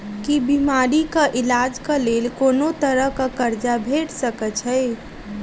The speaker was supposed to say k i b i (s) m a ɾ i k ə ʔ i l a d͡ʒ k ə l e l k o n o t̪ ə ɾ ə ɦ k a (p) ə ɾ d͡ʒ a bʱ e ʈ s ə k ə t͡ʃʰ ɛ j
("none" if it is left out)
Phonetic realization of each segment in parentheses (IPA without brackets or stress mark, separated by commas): none, k